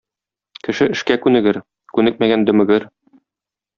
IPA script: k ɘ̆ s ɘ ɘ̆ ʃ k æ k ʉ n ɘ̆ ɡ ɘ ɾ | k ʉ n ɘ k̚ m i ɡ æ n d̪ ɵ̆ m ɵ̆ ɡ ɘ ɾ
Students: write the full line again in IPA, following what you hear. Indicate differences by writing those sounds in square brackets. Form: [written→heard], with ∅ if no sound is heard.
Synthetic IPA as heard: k ɘ̆ [s→ʃ] ɘ ɘ̆ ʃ k æ k ʉ n ɘ̆ ɡ ɘ ɾ | k ʉ n ɘ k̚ m [i→æ] ɡ æ n d̪ ɵ̆ m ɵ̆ ɡ ɘ ɾ